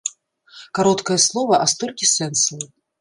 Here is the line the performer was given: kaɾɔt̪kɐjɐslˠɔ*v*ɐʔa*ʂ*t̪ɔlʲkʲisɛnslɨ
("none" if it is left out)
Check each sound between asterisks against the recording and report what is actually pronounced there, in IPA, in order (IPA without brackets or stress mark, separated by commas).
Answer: v, s